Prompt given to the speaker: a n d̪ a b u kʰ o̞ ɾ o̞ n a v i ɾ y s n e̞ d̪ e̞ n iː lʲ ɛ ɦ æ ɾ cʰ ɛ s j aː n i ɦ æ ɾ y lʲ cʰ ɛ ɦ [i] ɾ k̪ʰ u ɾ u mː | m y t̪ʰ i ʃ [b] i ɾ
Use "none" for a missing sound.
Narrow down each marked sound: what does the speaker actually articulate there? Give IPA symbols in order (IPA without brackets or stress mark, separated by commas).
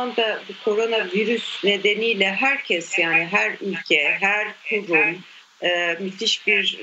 æ, b